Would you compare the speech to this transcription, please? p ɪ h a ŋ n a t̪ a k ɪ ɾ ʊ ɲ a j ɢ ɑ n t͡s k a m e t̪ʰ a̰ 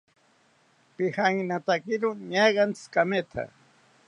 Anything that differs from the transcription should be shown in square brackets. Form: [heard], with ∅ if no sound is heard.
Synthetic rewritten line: p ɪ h a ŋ n a t̪ a k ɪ ɾ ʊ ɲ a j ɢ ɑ n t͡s k a m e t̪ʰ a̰